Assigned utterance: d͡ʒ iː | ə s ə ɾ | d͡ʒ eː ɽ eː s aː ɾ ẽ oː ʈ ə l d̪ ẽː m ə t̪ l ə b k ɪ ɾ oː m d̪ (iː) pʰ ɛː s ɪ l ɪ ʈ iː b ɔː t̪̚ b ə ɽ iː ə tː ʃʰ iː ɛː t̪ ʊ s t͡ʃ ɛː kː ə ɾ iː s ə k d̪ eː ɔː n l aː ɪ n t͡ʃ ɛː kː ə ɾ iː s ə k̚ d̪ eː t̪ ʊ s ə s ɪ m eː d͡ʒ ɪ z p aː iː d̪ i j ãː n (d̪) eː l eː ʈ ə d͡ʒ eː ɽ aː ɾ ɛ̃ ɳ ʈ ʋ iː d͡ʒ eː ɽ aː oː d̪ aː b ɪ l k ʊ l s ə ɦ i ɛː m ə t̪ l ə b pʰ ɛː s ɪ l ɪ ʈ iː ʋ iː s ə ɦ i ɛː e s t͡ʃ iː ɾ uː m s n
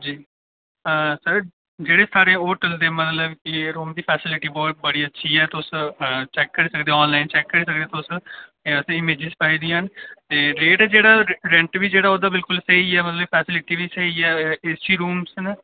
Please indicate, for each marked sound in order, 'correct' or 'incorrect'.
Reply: correct, incorrect: t̪

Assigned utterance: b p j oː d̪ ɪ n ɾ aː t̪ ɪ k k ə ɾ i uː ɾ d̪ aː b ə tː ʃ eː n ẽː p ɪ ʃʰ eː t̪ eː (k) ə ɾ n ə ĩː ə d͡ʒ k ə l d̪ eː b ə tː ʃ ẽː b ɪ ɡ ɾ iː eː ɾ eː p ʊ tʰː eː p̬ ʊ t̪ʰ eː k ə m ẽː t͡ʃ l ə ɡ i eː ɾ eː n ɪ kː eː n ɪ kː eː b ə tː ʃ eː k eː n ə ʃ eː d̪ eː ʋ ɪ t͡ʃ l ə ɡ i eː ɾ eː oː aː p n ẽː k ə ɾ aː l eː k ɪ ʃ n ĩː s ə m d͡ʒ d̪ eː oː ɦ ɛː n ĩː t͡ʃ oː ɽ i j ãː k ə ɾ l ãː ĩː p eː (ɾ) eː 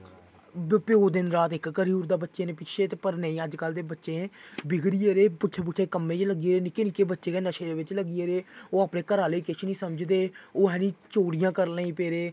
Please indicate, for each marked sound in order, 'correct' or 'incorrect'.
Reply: incorrect: p, correct

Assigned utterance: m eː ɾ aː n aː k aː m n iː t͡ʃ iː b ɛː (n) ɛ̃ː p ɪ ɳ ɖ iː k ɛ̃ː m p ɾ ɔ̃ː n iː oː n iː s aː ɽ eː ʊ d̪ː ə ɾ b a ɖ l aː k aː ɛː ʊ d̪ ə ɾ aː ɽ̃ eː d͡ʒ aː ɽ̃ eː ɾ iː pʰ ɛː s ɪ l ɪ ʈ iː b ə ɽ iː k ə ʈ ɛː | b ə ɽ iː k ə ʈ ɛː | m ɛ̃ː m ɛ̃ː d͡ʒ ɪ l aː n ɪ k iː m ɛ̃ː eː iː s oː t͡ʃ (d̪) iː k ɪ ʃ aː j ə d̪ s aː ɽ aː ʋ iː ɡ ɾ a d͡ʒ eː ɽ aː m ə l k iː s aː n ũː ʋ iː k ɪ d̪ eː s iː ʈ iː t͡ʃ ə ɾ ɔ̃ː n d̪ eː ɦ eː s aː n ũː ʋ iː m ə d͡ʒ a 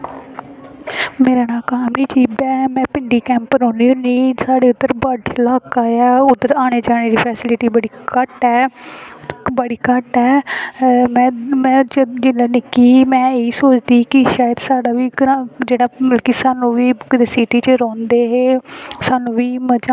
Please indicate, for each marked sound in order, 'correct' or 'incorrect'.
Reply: incorrect: m, correct

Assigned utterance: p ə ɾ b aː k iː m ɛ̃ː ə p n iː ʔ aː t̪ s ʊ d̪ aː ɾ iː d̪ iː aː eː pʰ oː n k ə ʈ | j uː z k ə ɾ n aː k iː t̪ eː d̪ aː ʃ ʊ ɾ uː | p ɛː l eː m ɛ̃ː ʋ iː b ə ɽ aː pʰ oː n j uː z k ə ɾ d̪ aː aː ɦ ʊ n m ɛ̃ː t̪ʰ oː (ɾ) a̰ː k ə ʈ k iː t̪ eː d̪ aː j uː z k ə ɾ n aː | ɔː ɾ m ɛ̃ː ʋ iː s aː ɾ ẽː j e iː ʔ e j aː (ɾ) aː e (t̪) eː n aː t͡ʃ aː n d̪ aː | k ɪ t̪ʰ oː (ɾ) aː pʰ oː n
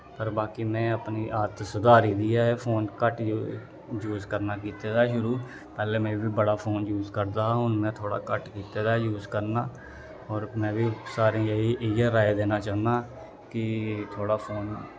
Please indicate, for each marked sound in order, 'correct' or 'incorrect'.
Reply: incorrect: ɽ, correct, incorrect: d̪, incorrect: ɽ

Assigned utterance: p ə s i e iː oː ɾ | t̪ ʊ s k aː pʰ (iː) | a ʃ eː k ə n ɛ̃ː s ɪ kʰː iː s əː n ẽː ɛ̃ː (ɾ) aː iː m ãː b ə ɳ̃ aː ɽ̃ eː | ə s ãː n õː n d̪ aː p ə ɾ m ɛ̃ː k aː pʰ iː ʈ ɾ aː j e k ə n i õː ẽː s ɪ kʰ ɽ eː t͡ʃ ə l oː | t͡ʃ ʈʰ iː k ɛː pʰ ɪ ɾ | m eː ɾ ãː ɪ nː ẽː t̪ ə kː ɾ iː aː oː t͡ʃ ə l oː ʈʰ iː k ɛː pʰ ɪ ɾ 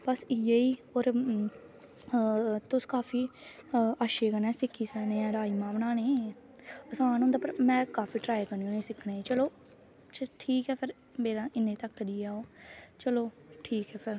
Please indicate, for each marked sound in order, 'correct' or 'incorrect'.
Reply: correct, correct

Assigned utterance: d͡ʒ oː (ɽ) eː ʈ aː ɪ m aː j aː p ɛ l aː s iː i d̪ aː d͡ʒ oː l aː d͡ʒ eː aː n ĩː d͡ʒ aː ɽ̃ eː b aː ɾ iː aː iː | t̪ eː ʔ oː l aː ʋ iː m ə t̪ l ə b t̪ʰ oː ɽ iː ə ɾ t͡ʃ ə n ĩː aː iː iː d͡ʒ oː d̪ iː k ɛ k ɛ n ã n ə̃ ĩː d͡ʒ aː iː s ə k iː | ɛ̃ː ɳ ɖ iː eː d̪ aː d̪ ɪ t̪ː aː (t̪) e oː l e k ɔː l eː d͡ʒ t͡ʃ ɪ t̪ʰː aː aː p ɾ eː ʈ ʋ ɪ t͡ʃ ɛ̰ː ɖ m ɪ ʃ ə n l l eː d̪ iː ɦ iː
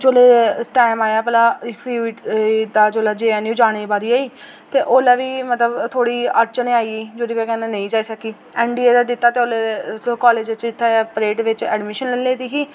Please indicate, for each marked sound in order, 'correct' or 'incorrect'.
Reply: incorrect: l, correct

